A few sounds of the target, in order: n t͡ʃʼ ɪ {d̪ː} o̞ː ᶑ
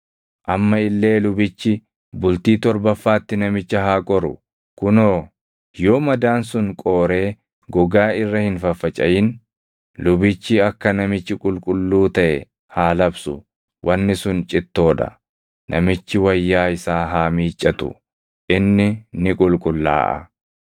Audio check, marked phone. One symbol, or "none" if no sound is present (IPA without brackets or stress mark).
t̪ː